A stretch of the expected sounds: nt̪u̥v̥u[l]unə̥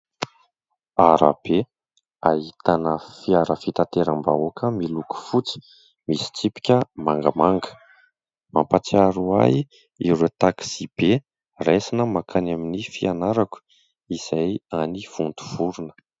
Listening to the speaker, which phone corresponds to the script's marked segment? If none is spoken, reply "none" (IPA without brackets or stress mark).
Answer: ɾ